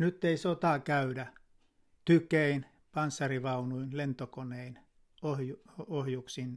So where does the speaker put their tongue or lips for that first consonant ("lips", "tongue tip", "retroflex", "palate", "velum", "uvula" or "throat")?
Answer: tongue tip